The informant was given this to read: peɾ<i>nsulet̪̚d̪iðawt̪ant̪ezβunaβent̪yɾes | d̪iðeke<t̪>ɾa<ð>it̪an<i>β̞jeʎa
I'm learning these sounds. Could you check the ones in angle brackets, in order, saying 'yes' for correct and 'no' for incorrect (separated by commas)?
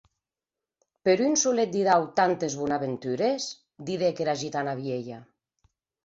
no, no, no, no